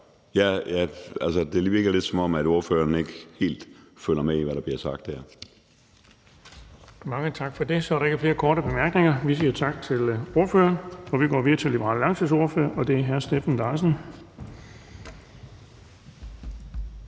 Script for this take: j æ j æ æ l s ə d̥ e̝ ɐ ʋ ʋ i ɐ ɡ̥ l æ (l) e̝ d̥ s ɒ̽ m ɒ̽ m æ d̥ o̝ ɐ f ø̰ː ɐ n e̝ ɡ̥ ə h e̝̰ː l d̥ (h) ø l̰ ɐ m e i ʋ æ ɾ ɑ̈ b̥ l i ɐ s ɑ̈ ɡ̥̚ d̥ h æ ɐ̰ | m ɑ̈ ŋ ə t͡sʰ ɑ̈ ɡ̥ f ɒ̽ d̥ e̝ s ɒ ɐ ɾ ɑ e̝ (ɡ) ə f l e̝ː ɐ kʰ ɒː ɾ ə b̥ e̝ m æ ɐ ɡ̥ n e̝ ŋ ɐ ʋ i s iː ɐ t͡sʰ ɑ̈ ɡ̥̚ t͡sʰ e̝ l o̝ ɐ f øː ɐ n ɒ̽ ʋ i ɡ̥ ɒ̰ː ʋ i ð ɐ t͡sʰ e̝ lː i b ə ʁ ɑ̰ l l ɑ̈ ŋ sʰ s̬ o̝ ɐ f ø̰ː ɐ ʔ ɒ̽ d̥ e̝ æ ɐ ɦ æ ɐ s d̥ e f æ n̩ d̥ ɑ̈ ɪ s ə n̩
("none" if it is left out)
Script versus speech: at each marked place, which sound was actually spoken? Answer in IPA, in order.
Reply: l, f, ɡ

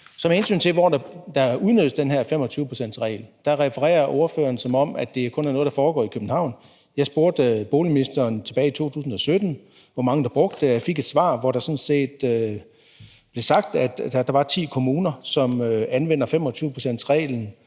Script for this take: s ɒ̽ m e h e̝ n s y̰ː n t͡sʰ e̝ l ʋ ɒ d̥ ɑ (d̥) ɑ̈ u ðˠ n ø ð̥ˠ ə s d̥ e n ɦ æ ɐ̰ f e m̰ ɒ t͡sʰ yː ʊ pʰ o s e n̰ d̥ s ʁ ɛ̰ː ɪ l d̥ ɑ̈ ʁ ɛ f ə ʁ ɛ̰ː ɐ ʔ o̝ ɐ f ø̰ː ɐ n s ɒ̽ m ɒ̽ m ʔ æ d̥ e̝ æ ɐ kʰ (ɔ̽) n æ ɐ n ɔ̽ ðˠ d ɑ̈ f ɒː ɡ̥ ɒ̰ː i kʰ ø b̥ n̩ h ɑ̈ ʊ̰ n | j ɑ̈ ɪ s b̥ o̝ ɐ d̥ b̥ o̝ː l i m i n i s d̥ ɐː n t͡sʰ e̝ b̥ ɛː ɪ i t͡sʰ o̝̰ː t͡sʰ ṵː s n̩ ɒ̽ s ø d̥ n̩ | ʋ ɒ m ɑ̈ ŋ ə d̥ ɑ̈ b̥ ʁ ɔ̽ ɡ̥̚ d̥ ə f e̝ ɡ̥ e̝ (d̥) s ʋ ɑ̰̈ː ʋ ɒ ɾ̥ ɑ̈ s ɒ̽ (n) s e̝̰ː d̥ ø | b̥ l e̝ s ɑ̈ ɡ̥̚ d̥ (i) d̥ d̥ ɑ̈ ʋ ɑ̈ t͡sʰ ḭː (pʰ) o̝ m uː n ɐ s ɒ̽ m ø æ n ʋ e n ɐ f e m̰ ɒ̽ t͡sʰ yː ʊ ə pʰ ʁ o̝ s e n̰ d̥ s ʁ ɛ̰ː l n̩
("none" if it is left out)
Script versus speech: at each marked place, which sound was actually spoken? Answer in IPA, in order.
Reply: d̥, ɔ̽, d̥, n, æ, kʰ

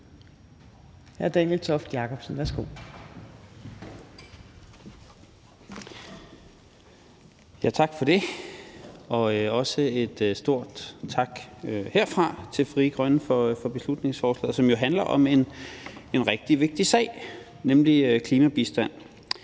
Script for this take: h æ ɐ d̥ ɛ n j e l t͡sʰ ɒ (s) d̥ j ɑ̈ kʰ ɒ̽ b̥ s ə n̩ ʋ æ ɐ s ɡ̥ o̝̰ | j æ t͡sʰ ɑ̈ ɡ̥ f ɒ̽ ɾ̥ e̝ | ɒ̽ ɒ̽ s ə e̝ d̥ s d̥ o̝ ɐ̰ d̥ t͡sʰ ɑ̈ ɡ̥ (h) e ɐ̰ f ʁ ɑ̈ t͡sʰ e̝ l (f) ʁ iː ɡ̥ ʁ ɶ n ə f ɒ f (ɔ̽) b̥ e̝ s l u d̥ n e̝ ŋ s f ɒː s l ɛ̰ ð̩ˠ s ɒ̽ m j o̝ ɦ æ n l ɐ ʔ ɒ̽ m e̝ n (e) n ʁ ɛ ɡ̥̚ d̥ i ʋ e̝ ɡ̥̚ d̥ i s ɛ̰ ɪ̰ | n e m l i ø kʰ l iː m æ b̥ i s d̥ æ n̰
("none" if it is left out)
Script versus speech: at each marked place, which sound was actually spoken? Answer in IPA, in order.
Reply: f, h, f, ɒ̽, e

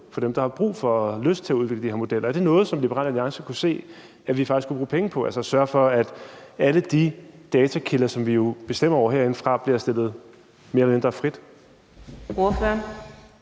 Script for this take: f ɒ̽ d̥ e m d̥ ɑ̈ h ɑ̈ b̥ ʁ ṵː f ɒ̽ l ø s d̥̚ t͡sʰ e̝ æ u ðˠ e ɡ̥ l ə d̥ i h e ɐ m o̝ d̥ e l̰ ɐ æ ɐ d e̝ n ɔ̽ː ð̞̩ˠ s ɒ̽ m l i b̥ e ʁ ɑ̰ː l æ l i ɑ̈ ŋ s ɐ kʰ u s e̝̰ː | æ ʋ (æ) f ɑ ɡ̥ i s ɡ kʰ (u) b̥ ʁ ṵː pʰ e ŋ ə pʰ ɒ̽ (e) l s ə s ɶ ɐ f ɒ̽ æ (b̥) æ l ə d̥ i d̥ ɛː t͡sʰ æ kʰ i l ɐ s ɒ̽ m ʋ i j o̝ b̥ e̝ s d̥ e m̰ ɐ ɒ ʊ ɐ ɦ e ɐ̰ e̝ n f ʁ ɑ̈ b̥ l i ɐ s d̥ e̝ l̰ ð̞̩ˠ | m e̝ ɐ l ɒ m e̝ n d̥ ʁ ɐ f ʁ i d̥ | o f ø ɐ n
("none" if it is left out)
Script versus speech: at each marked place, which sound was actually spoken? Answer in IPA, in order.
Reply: i, u, æ, d̥

